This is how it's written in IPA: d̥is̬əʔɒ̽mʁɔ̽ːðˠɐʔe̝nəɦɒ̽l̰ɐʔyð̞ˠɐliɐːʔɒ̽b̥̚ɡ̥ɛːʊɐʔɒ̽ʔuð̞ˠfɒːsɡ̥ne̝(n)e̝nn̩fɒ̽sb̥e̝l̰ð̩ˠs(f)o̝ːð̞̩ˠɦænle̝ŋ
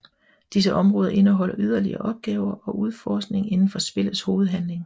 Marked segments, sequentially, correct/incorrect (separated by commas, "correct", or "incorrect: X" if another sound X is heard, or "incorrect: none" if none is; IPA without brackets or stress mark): incorrect: ŋ, incorrect: h